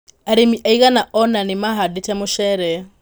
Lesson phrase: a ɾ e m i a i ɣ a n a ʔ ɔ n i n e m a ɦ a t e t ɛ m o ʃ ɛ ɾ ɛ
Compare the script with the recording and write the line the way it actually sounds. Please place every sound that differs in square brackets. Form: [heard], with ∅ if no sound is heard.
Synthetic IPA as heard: a ɾ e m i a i ɣ a n a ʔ ɔ n [a] n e m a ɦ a [d] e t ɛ m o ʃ ɛ ɾ ɛ